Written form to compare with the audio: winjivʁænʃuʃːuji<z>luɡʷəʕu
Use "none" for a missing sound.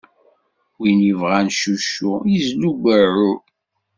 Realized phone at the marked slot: z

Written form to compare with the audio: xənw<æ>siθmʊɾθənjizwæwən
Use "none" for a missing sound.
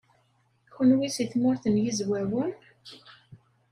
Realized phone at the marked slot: i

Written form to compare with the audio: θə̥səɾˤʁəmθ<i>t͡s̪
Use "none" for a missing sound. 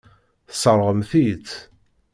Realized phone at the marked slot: i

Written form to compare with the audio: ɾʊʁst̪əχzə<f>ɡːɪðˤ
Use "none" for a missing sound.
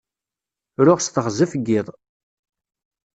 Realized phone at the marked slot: f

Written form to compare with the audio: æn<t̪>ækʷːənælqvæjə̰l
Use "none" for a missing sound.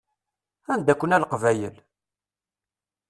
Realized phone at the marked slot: d̪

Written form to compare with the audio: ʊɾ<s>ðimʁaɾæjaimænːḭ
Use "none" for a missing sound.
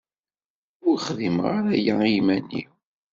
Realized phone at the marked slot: χ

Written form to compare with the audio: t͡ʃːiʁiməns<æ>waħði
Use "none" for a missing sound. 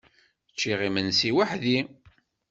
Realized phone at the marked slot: i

